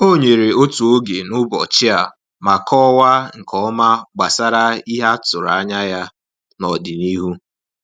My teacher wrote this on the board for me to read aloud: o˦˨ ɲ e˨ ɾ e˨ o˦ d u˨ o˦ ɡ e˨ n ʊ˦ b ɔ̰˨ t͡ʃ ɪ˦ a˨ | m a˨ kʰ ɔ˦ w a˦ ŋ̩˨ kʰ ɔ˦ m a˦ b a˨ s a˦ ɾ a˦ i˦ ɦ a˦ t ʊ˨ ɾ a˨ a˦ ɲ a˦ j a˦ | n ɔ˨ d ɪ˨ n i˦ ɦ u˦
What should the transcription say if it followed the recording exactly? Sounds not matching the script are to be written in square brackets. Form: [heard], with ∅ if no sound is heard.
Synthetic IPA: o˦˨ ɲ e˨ ɾ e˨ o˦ [t] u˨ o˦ ɡ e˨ n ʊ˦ b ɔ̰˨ t͡ʃ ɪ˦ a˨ | m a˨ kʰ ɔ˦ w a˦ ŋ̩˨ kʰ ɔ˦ m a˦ [ɡ͡b] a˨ s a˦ ɾ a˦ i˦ ɦ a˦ t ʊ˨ ɾ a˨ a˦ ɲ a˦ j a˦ | n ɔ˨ d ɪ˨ n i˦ ɦ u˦